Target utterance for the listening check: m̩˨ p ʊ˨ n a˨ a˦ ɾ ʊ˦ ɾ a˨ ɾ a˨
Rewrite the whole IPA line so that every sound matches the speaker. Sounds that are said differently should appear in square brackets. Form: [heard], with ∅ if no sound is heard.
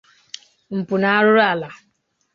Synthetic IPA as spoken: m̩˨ p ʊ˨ n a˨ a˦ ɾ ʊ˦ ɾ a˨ [l] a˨